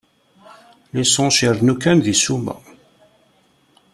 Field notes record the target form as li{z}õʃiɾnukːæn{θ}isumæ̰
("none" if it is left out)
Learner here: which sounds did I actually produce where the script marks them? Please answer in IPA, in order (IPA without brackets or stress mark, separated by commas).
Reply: s, ð